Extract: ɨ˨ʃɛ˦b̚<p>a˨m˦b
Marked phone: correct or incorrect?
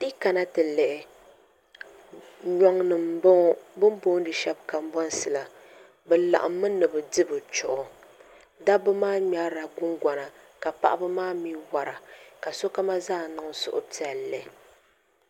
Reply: incorrect